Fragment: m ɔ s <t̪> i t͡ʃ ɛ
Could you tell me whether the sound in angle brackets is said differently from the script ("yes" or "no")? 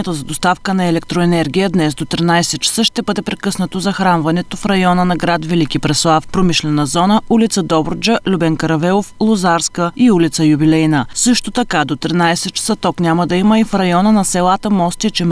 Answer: no